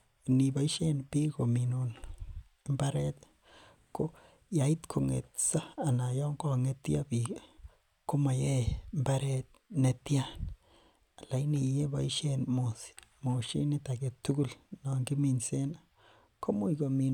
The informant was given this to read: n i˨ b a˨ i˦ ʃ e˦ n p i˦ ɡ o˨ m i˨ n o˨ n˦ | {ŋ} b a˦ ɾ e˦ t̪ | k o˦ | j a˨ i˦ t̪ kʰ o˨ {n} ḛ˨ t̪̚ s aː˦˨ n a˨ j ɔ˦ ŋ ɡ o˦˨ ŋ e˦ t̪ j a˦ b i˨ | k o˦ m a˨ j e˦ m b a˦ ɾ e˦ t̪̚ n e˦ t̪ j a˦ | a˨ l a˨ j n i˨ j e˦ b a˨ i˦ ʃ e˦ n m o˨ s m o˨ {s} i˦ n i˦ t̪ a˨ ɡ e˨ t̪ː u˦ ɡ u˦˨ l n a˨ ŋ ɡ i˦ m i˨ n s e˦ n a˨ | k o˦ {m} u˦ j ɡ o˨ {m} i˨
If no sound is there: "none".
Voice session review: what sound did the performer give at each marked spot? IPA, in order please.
m, ŋ, ʃ, m, m

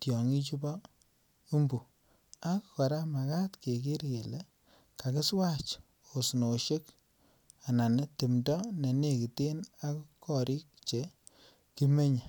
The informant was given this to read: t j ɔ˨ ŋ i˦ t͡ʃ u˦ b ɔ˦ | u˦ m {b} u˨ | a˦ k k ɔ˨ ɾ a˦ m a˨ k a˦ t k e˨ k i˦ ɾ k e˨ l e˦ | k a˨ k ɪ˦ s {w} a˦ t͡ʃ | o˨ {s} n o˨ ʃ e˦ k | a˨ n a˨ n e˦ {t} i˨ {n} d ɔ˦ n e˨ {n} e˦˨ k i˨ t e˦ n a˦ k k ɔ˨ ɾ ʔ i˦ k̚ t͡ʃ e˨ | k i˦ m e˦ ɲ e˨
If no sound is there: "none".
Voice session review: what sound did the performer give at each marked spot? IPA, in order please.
b, w, s, t, m, n

